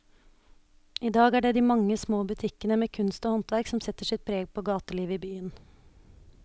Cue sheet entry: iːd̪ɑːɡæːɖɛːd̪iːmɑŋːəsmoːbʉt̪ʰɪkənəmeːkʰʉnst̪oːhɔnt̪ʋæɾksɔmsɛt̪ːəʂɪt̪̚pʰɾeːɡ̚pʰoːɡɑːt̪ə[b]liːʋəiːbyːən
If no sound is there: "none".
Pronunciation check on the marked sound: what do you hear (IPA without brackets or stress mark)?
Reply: none